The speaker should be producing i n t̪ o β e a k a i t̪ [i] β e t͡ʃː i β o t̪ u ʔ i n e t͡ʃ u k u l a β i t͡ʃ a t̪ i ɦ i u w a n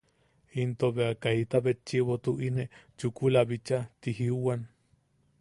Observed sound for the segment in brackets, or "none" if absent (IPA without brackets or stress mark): a